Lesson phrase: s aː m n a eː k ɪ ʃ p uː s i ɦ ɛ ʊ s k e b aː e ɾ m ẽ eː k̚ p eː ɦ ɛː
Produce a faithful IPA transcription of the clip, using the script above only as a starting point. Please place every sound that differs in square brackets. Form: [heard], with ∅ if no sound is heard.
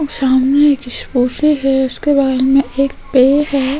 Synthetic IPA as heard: s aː m n [e] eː k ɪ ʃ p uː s i ɦ ɛ ʊ s k e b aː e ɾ m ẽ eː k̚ p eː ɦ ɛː